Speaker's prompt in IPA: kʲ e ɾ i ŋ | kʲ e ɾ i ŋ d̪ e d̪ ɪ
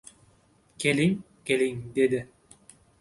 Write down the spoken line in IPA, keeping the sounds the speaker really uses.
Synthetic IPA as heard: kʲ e l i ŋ | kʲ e l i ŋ d̪ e d̪ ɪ